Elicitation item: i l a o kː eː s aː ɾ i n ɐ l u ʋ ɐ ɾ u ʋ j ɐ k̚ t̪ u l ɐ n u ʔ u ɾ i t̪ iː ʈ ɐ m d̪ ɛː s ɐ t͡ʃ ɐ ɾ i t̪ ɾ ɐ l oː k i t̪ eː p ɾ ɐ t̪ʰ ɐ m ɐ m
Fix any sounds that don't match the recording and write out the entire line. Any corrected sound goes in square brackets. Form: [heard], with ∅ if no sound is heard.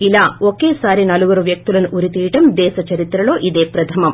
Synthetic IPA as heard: i l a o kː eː s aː ɾ i n ɐ l u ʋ ɐ ɾ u ʋ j ɐ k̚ t̪ u l ɐ n u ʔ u ɾ i t̪ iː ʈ ɐ m d̪ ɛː s ɐ t͡ʃ ɐ ɾ i t̪ ɾ ɐ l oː [ʔ] i [d̪] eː p ɾ ɐ t̪ʰ ɐ m ɐ m